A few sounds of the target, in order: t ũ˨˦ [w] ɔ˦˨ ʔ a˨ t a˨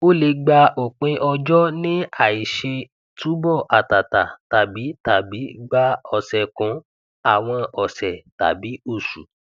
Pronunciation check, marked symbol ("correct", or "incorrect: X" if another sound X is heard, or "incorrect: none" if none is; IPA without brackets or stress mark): incorrect: b